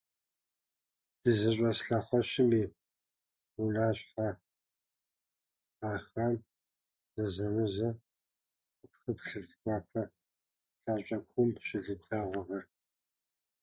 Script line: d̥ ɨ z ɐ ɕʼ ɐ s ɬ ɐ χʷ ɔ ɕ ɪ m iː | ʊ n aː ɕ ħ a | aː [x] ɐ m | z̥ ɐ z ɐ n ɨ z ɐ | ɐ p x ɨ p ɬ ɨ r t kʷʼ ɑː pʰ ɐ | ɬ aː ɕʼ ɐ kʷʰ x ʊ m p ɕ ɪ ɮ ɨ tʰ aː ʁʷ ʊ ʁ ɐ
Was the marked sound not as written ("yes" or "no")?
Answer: no